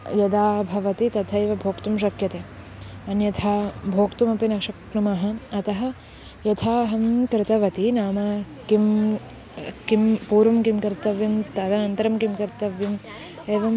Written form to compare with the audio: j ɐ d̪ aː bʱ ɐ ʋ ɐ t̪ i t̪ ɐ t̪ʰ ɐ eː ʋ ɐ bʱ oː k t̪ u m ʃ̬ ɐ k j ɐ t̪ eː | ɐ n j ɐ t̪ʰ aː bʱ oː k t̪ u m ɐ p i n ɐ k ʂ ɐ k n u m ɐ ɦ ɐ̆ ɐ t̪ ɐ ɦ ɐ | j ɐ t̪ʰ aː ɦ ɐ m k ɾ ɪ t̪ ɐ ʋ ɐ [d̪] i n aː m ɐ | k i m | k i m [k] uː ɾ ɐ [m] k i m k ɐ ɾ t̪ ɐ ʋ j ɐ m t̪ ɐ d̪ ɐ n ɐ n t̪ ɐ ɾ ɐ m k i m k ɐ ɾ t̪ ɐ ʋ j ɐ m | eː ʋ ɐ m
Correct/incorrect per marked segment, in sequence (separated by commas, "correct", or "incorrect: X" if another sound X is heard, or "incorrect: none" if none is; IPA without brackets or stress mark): incorrect: t̪, incorrect: p, correct